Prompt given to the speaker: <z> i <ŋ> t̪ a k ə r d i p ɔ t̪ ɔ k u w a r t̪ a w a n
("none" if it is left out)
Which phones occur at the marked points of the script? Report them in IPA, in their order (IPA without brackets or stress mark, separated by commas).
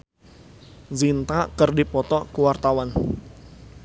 z, n